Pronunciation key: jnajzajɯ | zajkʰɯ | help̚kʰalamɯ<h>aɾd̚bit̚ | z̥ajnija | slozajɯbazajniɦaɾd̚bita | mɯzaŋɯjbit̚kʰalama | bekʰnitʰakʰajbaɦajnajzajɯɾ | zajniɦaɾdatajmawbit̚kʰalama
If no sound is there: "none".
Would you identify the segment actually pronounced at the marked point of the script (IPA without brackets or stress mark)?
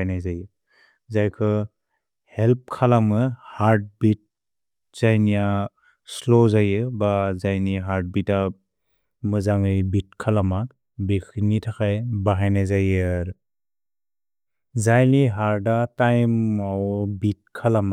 h